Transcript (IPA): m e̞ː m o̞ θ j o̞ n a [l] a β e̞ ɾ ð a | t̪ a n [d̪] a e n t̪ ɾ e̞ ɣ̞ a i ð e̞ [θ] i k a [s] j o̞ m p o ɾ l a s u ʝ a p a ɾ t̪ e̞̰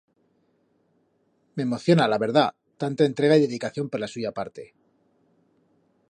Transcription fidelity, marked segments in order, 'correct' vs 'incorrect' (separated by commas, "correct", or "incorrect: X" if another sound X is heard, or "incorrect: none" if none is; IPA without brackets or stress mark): correct, incorrect: t̪, incorrect: ð, incorrect: θ